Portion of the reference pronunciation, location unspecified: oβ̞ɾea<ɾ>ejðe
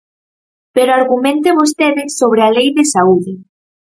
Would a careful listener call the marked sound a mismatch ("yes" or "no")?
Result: yes